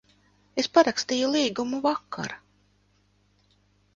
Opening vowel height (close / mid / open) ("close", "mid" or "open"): mid